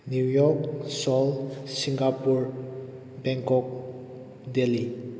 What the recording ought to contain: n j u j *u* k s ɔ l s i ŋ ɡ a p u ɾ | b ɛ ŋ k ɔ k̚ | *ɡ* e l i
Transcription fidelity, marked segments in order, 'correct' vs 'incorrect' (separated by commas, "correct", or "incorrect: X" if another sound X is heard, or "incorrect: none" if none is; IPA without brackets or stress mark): incorrect: ɔ, incorrect: d